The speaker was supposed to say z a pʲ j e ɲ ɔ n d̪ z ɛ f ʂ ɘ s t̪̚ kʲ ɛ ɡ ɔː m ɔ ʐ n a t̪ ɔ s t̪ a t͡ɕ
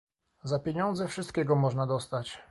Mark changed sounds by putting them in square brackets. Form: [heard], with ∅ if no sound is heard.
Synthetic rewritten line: z a pʲ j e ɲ ɔ n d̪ z ɛ f ʂ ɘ s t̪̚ kʲ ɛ ɡ [ɔ] m ɔ ʐ n a [d̪] ɔ s t̪ a t͡ɕ